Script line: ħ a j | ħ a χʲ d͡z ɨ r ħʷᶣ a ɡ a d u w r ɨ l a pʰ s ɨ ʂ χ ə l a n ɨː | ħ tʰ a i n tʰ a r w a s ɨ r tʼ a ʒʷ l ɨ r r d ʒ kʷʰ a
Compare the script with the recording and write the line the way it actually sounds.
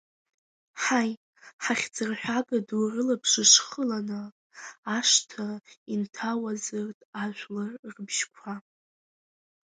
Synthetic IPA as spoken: ħ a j | ħ a χʲ d͡z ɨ r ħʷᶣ a ɡ a d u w r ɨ l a pʰ ʂ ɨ ʂ χ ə l a n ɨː | ʂ tʰ a i n tʰ a w a z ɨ r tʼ a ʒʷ l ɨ r r b ʒ kʷʰ a